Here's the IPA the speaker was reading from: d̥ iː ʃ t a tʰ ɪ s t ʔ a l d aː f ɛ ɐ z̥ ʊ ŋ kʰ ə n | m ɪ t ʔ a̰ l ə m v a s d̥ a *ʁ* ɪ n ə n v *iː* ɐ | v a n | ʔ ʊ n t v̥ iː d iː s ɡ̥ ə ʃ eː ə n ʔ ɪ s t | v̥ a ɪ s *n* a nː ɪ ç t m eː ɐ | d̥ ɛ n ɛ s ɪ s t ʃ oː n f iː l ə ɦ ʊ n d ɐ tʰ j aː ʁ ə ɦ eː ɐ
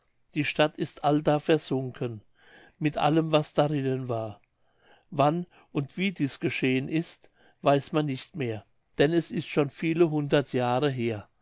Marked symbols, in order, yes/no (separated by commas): yes, no, no